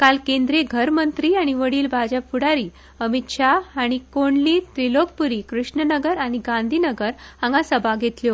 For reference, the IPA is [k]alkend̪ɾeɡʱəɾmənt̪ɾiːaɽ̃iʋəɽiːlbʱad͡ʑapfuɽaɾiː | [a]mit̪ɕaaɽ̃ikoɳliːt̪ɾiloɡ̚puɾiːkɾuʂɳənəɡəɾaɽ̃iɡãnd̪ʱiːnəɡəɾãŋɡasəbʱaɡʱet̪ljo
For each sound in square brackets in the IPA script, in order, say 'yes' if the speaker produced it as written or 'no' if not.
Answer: yes, no

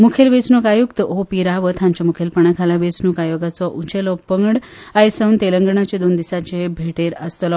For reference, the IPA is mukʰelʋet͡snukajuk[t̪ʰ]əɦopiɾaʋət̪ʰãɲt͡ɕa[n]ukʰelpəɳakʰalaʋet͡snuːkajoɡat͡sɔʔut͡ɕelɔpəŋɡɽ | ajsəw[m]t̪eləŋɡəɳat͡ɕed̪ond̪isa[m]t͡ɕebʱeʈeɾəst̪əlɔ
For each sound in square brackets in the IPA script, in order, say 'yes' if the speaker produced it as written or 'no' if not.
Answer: no, no, no, no

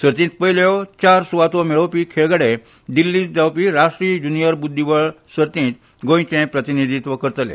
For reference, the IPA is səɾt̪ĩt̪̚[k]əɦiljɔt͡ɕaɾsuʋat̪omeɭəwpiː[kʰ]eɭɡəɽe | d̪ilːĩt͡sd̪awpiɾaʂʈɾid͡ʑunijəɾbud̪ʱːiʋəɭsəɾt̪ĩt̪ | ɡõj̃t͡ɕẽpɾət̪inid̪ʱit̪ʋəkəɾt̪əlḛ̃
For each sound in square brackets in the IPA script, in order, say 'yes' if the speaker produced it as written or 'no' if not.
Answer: no, yes

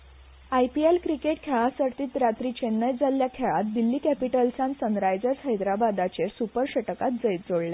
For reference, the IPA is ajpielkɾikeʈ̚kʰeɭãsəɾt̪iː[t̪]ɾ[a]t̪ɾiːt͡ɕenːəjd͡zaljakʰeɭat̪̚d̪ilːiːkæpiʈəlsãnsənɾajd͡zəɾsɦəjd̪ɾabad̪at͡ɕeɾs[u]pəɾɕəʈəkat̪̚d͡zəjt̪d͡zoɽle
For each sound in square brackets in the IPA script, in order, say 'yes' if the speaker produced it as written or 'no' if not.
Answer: yes, yes, yes

